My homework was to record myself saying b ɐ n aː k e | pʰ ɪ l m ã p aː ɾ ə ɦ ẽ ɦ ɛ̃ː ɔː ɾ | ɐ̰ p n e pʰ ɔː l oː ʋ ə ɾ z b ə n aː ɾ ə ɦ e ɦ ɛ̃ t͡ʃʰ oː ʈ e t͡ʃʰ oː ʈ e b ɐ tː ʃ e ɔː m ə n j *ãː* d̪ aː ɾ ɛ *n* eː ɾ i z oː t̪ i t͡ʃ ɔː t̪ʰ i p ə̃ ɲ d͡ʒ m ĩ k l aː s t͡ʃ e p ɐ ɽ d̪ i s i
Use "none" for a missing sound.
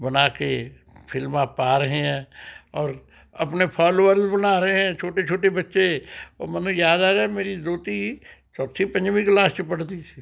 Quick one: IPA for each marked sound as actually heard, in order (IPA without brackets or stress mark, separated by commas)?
aː, m